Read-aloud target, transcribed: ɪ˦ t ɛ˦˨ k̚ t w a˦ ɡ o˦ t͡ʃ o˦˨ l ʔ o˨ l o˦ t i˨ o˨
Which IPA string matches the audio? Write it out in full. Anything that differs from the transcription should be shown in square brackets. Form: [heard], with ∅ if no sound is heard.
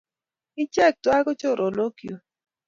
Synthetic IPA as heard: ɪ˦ [t͡ʃ] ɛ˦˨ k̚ t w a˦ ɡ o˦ t͡ʃ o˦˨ [ɾ] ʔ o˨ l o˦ [k] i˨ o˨